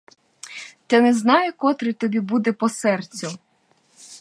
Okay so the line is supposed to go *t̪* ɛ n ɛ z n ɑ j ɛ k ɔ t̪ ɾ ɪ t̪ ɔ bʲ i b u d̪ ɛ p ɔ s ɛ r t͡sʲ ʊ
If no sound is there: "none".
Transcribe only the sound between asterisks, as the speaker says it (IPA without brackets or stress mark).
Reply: t̪